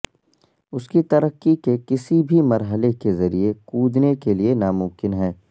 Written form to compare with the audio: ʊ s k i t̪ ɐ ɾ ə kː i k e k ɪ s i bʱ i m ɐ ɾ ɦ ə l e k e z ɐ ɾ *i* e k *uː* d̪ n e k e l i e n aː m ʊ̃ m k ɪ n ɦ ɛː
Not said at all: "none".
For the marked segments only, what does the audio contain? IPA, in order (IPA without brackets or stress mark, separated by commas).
i, uː